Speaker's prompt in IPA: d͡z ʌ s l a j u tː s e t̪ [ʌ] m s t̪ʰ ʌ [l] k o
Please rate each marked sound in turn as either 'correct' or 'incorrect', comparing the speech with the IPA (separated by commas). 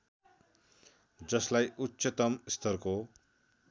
correct, incorrect